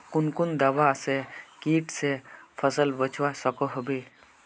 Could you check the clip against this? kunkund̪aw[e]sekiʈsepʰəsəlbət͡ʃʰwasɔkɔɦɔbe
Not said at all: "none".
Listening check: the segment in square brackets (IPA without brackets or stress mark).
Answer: a